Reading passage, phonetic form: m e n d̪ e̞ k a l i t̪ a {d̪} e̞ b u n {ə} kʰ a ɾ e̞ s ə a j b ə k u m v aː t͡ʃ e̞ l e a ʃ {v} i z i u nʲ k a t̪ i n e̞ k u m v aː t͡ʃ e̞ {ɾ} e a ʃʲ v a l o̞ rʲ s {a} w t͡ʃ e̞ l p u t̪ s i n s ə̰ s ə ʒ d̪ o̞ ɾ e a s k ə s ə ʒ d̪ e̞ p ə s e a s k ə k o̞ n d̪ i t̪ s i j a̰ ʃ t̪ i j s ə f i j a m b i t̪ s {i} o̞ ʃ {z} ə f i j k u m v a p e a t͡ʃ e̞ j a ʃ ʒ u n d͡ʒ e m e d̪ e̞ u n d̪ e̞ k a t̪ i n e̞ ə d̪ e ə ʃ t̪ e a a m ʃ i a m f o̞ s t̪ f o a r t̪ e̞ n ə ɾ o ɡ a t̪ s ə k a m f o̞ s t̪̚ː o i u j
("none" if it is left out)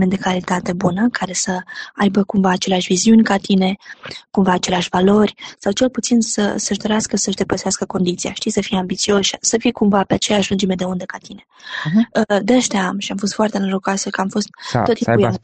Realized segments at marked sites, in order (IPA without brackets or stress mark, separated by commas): t̪, ə, v, l, a, i, s